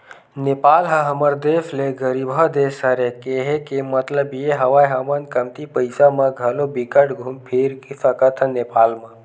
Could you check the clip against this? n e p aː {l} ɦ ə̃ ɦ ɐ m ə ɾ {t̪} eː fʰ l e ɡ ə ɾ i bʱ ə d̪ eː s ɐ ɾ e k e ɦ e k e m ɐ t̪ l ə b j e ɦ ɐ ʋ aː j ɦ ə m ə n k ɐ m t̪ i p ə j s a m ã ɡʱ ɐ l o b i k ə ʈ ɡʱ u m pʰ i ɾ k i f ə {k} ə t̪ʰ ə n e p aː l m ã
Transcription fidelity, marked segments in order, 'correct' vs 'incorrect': correct, incorrect: d̪, correct

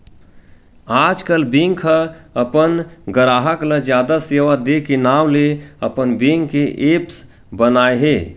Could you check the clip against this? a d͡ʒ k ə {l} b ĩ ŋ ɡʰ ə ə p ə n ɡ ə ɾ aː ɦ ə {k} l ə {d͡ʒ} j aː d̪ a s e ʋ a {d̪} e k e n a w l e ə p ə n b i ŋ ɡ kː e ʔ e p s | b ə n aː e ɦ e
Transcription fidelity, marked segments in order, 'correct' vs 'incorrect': correct, correct, correct, correct

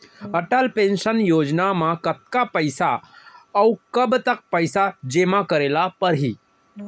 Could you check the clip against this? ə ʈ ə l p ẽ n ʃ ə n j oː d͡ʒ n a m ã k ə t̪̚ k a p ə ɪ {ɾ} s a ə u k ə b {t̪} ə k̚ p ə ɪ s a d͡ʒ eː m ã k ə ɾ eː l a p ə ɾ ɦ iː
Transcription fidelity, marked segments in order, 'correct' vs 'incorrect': incorrect: none, correct

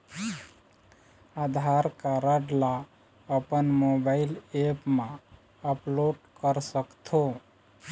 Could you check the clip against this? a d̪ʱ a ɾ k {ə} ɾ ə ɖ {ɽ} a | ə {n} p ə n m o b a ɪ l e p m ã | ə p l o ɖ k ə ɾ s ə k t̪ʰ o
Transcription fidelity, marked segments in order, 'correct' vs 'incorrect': incorrect: a, incorrect: l, incorrect: none

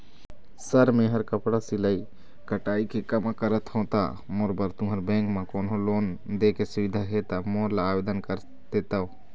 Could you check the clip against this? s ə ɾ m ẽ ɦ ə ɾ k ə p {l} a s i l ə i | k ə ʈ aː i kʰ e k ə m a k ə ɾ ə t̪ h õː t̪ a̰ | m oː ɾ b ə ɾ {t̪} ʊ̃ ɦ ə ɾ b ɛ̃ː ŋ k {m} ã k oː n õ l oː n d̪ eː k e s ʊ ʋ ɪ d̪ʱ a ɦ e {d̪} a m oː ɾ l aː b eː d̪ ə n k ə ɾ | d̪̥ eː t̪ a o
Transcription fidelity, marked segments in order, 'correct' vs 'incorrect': incorrect: ɽ, correct, correct, incorrect: t̪

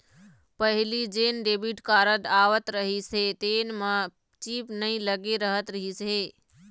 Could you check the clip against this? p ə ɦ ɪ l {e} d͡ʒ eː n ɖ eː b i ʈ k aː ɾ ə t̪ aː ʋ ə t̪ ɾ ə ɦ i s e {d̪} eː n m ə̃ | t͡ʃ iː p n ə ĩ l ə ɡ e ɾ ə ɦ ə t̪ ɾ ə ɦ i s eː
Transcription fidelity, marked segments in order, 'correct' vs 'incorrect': incorrect: i, incorrect: t̪

